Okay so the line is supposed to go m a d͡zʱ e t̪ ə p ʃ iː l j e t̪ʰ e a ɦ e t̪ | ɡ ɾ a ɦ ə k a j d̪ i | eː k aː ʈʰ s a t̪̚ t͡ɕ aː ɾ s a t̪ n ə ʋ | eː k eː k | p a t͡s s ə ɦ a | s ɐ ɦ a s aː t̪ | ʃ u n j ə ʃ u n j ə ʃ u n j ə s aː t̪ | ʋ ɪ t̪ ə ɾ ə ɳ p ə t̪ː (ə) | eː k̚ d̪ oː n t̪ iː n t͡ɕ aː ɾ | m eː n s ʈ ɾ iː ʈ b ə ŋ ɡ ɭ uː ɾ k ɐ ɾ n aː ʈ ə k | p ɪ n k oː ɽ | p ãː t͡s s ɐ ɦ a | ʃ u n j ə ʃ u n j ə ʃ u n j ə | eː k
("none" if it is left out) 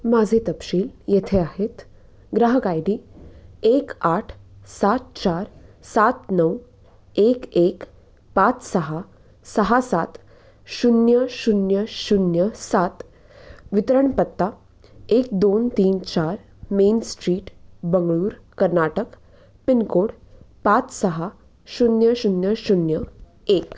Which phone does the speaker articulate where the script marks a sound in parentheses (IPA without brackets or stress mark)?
a